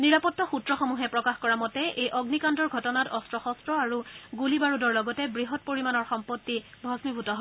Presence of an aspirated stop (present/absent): absent